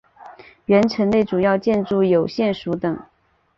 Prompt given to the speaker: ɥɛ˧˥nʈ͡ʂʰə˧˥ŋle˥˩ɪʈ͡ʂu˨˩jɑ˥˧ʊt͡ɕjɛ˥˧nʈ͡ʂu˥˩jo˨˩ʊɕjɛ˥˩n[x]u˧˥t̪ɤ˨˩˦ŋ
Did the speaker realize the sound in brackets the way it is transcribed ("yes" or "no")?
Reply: no